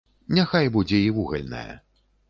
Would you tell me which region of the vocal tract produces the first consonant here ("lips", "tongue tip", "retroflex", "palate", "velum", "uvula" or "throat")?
tongue tip